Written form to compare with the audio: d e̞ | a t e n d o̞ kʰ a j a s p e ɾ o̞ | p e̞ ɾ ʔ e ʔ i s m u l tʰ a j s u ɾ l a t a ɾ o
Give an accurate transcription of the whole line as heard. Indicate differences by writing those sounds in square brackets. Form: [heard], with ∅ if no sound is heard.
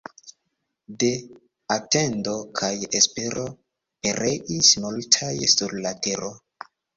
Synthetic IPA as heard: d e̞ | a t e n d o̞ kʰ a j [e] s p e ɾ o̞ | p e̞ ɾ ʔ e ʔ i s m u l tʰ a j s u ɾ l a t [e] ɾ o